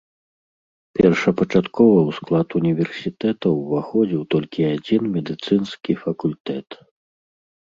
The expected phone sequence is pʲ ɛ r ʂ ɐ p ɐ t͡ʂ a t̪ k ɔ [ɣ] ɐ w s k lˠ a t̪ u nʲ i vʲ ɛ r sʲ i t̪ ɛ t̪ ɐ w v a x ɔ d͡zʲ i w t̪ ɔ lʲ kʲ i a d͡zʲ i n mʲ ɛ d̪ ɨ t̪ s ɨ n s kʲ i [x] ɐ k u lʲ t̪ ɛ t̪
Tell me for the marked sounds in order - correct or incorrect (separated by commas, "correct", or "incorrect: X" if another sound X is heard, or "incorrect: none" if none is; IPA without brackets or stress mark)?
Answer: incorrect: v, incorrect: f